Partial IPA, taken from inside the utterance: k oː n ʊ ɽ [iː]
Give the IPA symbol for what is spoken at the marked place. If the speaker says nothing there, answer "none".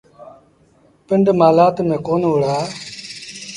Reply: aː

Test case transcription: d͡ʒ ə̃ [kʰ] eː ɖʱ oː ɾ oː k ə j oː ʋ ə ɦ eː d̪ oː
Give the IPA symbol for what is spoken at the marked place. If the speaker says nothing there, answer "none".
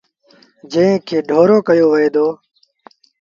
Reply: kʰ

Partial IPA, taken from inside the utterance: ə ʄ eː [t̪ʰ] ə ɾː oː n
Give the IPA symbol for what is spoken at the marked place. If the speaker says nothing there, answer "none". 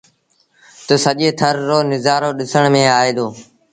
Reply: t̪ʰ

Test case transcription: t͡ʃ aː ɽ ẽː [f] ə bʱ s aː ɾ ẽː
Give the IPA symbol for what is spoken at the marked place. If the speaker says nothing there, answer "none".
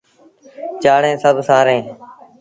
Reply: s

